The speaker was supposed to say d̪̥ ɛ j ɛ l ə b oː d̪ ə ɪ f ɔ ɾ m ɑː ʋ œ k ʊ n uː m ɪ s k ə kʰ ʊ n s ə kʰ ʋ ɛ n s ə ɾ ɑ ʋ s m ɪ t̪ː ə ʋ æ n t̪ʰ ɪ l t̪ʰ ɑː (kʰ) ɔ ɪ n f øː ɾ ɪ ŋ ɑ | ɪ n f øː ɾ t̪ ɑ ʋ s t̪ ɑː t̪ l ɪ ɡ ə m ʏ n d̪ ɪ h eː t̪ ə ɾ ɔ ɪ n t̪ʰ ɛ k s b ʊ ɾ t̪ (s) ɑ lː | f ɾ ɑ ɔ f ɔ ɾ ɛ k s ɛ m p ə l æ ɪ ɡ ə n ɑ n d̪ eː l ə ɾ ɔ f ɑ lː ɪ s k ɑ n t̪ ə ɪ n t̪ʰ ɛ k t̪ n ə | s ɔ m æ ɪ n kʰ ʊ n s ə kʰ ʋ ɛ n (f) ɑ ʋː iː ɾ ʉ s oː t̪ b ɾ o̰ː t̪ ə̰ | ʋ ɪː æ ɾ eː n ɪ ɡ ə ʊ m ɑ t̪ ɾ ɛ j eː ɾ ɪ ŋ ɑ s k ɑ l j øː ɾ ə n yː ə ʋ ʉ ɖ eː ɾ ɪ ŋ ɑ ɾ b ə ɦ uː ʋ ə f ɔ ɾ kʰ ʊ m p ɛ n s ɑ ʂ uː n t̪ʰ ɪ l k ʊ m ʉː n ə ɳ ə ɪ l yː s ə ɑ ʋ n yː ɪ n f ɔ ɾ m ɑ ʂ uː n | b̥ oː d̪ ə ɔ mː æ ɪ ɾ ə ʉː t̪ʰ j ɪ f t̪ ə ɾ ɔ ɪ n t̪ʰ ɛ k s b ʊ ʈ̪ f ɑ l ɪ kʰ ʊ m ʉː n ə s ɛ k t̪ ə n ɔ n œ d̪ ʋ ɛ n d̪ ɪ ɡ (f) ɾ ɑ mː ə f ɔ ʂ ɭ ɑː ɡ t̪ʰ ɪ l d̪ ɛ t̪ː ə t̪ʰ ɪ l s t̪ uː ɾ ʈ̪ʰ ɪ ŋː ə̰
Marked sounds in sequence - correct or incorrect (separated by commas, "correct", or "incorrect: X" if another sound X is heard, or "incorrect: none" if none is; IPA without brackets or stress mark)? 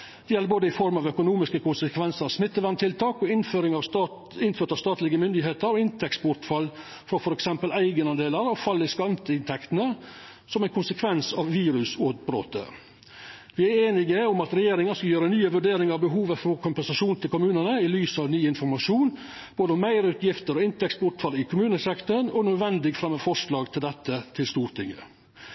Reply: incorrect: k, incorrect: f, incorrect: s, correct